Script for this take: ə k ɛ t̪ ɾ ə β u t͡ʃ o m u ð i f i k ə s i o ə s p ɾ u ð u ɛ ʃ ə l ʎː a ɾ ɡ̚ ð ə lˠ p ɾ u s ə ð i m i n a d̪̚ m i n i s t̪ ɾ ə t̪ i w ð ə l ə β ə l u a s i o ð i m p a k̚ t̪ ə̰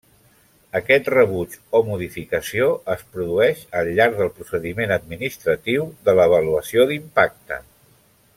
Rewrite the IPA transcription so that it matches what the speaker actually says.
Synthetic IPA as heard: ə k ɛ t̪ r ə β u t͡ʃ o m u ð i f i k ə s i o ə s p ɾ u ð u ɛ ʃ ə l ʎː a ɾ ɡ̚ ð ə lˠ p ɾ u s ə ð i m e n ə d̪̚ m i n i s t̪ ɾ ə t̪ i w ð ə l ə β ə l u ə s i o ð i m p a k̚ t̪ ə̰